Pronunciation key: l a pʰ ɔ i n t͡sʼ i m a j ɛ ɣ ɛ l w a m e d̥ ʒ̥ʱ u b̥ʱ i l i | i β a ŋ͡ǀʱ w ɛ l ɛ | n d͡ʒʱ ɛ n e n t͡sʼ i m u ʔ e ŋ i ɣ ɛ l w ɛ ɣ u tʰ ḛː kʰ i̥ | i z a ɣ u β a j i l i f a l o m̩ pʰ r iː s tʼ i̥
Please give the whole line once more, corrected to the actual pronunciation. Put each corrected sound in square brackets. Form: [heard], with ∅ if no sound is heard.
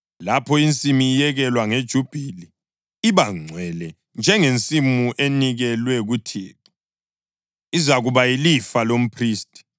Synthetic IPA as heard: l a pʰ ɔ i n t͡sʼ i m [i] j ɛ ɣ ɛ l w a [ŋ] e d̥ ʒ̥ʱ u b̥ʱ i l i | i β a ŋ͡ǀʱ w ɛ l ɛ | n d͡ʒʱ ɛ [ŋ] e n t͡sʼ i m u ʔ e [n] i ɣ ɛ l w ɛ ɣ u tʰ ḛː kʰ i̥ | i z a ɣ u β a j i l i f a l o m̩ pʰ r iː s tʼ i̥